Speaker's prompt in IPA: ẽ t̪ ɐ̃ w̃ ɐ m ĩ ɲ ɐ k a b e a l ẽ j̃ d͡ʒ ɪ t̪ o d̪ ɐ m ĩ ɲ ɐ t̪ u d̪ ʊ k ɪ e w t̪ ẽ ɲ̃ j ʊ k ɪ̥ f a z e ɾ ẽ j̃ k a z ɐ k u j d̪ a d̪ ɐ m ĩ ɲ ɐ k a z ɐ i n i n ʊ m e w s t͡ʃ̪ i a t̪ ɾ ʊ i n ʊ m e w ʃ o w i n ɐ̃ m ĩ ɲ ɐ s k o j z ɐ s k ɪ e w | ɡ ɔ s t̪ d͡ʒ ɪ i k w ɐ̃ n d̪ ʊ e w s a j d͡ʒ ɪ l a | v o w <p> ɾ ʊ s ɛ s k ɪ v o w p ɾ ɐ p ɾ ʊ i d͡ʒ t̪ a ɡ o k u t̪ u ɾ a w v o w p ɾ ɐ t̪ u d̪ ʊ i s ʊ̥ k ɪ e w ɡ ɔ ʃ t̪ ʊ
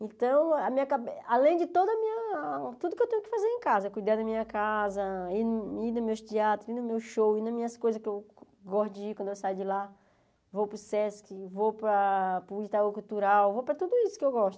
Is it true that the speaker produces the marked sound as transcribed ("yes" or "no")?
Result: yes